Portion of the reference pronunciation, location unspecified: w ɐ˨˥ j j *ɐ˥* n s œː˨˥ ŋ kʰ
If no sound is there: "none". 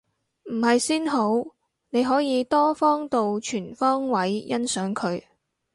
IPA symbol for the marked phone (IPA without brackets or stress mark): ɐ˥